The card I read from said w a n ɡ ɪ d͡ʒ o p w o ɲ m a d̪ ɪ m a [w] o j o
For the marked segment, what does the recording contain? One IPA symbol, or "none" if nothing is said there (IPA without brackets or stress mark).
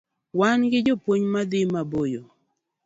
b